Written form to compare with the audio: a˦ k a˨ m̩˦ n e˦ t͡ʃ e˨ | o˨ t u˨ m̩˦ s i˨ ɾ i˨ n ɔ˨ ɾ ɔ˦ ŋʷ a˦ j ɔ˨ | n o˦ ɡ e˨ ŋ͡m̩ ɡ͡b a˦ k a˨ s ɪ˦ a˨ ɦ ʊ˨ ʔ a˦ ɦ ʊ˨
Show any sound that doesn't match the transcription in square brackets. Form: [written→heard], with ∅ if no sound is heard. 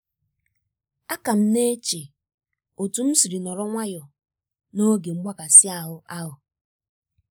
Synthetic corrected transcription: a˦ k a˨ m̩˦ n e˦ t͡ʃ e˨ | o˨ t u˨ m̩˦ s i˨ ɾ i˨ n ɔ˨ ɾ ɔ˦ ŋʷ a˦ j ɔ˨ | n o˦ ɡ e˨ ŋ͡m̩ ɡ͡b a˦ k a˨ s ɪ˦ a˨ ɦ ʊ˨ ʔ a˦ ɦ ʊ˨

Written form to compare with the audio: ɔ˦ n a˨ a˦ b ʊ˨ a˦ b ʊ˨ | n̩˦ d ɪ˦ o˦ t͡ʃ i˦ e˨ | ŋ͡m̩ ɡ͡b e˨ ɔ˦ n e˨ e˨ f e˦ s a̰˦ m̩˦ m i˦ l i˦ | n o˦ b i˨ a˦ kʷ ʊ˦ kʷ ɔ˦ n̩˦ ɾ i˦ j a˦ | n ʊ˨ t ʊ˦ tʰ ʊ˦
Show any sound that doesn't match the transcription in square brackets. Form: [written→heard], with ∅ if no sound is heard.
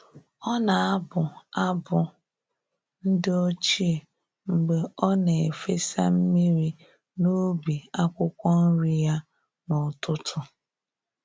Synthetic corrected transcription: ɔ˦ n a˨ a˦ b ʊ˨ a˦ b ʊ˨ | n̩˦ d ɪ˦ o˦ t͡ʃ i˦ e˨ | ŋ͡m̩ ɡ͡b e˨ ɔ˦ n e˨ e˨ f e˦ s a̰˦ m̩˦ m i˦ [l→ɾ] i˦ | n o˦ b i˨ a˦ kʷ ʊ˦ kʷ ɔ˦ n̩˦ ɾ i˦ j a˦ | n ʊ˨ t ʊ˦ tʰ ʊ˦

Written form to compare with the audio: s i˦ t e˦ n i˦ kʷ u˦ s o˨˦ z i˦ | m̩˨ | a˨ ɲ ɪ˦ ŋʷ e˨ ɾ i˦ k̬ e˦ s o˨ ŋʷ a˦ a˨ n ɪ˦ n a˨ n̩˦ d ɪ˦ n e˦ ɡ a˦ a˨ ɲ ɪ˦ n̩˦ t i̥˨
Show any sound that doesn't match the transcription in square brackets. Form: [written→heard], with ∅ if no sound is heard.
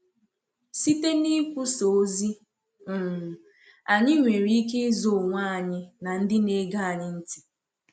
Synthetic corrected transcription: s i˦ t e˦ n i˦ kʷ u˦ s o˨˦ z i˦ | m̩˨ | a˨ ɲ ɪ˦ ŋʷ e˨ ɾ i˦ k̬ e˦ [s→z] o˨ ŋʷ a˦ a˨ [n→ɲ] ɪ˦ n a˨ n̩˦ d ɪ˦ n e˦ ɡ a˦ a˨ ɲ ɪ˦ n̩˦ t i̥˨

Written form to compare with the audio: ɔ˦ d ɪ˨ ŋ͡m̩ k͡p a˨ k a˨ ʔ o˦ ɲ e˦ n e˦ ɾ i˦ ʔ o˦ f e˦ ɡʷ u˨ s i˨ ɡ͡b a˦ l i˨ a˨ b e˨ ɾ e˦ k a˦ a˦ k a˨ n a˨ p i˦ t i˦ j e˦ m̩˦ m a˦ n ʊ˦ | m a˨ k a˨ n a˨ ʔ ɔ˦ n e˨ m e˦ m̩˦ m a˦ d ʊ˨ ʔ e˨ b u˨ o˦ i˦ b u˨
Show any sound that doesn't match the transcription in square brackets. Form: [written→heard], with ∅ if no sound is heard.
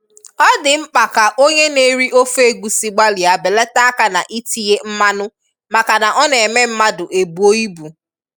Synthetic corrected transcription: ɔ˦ d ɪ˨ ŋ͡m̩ k͡p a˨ k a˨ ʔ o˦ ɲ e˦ n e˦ ɾ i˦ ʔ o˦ f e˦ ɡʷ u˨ s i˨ ɡ͡b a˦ l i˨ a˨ b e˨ [ɾ→l] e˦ [k→t] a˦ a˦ k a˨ n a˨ [p→ʔ] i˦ t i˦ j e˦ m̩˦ m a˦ n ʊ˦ | m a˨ k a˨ n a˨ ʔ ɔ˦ n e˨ m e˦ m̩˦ m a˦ d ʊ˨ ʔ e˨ b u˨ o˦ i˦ b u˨

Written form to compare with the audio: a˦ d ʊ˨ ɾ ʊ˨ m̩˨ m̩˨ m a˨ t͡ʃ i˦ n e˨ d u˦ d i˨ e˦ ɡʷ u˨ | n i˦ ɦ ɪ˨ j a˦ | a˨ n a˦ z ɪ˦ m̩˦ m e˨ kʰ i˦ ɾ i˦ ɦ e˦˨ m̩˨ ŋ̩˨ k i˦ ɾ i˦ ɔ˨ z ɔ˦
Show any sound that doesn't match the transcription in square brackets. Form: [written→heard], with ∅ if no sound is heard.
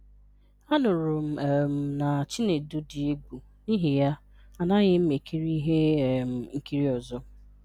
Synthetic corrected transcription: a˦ [d→n] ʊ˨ ɾ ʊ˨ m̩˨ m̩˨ [m→n] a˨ t͡ʃ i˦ n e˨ d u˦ d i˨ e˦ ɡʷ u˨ | n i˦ ɦ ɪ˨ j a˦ | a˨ n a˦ [z→ɣ] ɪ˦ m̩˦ m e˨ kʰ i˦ ɾ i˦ ɦ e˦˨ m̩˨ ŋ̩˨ k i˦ ɾ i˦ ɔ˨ z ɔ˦

